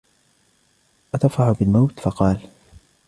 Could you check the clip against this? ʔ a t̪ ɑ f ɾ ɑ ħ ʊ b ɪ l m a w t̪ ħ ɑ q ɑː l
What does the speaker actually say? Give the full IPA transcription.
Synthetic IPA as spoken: ʔ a t̪ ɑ f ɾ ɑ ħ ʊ b ɪ l m a w t̪ f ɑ q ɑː l